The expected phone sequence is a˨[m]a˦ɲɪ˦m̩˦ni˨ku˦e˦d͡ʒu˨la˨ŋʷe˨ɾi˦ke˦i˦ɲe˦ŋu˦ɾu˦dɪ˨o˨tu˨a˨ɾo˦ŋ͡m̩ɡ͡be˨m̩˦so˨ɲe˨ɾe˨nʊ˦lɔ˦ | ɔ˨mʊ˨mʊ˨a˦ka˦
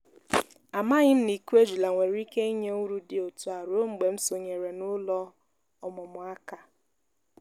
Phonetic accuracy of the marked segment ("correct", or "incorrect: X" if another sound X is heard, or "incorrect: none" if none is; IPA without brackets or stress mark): correct